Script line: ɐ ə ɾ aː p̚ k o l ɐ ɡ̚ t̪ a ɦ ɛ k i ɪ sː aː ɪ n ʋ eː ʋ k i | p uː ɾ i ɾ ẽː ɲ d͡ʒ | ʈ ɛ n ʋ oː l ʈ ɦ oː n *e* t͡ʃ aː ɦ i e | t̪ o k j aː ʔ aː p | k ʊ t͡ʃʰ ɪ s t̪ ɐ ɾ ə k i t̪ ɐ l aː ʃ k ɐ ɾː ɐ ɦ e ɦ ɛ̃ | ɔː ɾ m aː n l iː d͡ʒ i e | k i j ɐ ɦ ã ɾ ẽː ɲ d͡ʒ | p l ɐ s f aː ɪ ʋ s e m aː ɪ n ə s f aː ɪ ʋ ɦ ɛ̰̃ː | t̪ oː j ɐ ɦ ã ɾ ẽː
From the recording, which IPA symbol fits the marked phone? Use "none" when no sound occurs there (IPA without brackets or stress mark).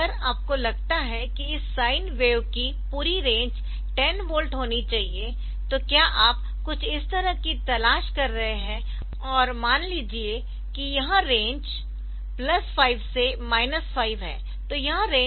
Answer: i